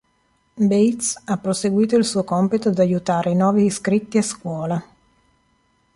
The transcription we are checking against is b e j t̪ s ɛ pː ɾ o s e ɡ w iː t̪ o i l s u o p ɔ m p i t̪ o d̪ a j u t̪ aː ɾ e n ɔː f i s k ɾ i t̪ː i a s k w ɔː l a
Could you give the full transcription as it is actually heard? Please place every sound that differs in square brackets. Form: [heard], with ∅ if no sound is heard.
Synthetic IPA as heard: b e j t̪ s [a] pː ɾ o s e ɡ w iː t̪ o i l s u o [k] ɔ m p i t̪ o d̪ a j u t̪ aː ɾ e n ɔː [v] i s k ɾ i t̪ː i a s k w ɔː l a